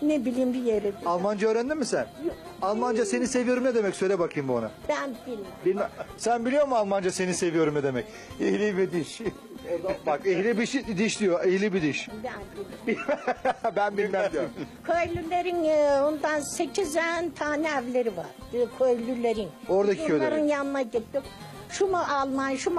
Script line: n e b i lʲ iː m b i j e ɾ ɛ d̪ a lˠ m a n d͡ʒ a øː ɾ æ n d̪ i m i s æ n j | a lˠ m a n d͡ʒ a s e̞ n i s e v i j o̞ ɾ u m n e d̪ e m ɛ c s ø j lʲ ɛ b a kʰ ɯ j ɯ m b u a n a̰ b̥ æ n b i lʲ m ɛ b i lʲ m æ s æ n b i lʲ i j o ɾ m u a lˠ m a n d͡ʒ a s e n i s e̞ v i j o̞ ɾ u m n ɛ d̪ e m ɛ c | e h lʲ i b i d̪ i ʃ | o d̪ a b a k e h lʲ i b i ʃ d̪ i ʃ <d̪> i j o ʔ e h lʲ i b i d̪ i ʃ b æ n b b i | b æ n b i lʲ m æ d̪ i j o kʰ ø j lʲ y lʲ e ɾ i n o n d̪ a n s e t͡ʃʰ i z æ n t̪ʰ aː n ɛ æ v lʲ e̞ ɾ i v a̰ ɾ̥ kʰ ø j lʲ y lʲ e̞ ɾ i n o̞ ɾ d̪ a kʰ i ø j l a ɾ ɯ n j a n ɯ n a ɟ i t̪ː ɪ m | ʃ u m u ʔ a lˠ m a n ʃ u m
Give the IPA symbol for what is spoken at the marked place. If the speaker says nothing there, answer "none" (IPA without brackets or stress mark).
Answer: d̪